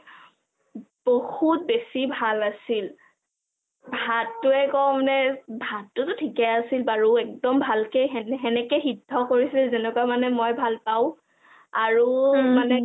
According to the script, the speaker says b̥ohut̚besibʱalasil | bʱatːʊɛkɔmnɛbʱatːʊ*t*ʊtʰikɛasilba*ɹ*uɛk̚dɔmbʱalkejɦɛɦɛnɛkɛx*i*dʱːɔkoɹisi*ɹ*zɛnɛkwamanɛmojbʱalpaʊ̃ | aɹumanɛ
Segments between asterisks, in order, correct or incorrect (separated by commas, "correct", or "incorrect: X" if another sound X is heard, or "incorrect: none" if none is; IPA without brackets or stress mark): correct, correct, correct, incorrect: l